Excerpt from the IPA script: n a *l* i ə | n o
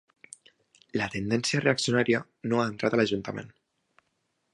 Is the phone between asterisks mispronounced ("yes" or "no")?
yes